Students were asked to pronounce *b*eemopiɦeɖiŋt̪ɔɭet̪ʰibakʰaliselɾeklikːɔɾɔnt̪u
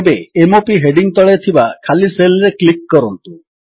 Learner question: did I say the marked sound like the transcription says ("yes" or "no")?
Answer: yes